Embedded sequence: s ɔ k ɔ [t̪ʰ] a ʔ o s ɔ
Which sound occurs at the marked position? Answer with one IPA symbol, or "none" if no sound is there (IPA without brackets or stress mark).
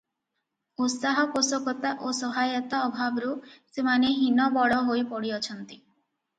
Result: t̪